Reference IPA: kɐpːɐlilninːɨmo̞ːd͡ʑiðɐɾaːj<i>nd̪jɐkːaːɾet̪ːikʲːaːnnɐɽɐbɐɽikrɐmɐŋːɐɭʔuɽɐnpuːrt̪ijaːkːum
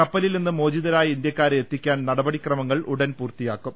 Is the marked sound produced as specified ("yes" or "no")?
yes